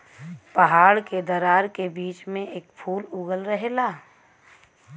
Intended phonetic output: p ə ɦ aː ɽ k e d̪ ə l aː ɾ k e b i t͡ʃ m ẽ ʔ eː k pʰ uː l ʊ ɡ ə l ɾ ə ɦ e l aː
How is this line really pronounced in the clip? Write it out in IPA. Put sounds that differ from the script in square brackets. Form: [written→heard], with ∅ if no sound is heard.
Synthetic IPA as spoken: p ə ɦ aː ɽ k e d̪ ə [l→ɾ] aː ɾ k e b [i→iː] t͡ʃ m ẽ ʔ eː k pʰ uː l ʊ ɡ ə l ɾ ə ɦ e l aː

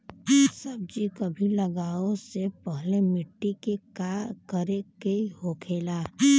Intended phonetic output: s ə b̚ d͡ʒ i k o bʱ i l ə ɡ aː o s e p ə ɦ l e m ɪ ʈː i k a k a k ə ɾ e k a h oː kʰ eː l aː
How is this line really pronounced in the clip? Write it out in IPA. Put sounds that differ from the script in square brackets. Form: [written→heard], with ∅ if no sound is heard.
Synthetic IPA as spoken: s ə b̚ d͡ʒ i k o bʱ i l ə ɡ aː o s e p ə ɦ l e m ɪ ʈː i k [a→e] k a k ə ɾ e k [a→e] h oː kʰ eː l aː

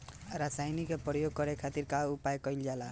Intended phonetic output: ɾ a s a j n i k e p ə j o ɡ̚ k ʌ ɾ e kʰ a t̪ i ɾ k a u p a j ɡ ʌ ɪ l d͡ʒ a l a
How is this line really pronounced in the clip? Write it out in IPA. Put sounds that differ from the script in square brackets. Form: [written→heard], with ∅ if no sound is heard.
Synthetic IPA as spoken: ɾ a s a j n i k e p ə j o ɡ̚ k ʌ ɾ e kʰ a t̪ i ɾ k a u p a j [ɡ→k] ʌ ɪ l d͡ʒ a l a

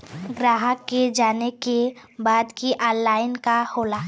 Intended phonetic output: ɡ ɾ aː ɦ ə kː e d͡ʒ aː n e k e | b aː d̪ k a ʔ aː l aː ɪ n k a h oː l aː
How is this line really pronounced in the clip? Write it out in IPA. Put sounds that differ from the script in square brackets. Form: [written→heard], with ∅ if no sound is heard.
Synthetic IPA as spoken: ɡ ɾ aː ɦ ə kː e d͡ʒ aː n e k e | b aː d̪ k [a→i] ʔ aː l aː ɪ n k a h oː l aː

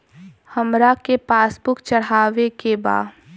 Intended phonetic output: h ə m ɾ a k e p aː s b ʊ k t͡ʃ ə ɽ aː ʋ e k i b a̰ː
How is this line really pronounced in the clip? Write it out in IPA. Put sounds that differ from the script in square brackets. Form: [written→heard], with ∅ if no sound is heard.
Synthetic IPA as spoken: h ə m ɾ a k e p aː s b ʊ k t͡ʃ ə ɽ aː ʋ e k [i→e] b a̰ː

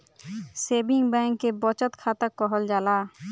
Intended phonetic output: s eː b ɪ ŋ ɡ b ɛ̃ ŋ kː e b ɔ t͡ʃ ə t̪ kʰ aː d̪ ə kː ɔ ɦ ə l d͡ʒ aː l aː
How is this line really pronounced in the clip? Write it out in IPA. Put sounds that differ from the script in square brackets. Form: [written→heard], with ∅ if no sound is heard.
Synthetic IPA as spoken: s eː b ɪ ŋ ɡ b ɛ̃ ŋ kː e b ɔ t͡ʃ ə t̪ kʰ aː [d̪→t̪] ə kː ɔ ɦ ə l d͡ʒ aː l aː

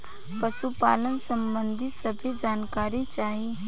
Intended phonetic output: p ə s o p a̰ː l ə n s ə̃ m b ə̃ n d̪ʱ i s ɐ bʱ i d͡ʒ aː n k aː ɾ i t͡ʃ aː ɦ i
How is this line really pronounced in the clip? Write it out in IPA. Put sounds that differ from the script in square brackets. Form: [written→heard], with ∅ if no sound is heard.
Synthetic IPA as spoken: p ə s [o→u] p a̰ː l ə n s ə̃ m b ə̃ n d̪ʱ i s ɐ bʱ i d͡ʒ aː n k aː ɾ i t͡ʃ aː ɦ i

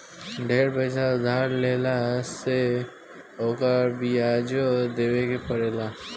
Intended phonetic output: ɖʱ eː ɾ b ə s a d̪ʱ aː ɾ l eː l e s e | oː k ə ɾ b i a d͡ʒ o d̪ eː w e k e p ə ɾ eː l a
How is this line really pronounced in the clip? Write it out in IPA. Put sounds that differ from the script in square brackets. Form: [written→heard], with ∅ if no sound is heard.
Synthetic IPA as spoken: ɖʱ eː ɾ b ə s a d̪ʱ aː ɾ l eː l [e→a] s e | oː k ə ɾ b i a d͡ʒ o d̪ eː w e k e p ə ɾ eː l a

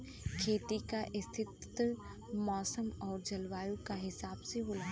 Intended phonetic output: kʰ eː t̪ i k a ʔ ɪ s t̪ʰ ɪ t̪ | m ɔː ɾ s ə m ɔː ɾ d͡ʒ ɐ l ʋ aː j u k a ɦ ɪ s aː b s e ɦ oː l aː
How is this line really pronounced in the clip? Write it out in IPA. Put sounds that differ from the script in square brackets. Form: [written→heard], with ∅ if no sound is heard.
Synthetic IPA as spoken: kʰ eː t̪ i k a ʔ ɪ s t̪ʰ ɪ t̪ | m ɔː [ɾ→∅] s ə m ɔː ɾ d͡ʒ ɐ l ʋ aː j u k a ɦ ɪ s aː b s e ɦ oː l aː

